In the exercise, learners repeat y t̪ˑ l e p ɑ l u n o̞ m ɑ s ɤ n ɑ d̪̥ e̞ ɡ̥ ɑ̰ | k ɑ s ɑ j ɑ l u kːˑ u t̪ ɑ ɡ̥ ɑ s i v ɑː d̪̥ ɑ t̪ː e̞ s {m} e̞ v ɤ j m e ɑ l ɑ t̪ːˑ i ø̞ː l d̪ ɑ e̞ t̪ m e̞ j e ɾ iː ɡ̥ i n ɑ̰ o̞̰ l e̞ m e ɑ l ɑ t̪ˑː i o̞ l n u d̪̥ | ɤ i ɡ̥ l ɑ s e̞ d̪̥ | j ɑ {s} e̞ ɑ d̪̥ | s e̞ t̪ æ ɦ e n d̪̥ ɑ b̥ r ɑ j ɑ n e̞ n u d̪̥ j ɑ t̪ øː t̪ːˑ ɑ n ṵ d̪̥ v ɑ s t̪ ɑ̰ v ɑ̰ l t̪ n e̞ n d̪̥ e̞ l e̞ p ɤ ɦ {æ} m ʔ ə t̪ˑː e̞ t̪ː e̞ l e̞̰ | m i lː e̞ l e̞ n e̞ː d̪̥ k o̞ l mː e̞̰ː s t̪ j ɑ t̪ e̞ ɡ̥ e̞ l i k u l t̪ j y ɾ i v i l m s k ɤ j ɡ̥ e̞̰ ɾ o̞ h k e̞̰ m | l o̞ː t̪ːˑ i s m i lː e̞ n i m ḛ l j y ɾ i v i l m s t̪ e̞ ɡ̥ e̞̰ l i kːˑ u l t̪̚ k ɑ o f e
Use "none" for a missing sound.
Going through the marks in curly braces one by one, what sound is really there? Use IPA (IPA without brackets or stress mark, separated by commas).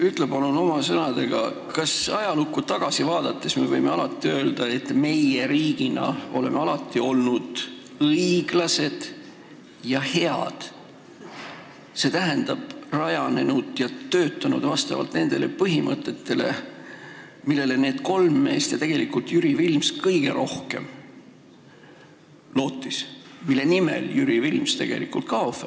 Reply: m, h, i